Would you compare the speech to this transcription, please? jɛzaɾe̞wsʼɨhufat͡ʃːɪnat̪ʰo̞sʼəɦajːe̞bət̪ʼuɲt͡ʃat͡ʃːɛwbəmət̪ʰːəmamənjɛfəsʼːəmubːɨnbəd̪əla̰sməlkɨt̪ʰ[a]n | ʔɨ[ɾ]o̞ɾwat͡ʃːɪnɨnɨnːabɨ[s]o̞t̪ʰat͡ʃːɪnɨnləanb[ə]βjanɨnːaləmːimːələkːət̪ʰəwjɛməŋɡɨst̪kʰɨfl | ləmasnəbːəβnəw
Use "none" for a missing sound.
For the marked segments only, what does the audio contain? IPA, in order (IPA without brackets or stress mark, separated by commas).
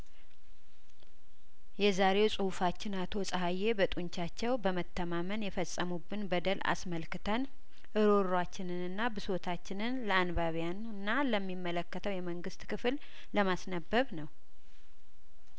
ə, ɾ, s, a